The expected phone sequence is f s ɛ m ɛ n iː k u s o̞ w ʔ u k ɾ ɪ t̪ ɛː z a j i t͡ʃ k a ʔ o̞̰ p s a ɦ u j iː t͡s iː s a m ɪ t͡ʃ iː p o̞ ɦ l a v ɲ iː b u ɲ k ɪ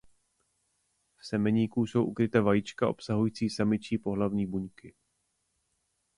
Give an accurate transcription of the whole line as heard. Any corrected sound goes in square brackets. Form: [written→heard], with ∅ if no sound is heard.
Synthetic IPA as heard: f s ɛ m ɛ [n→ɲ] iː k u s o̞ w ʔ u k ɾ ɪ t̪ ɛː [z→v] a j i t͡ʃ k a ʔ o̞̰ p s a ɦ u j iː t͡s iː s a m ɪ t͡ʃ iː p o̞ ɦ l a v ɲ iː b u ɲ k ɪ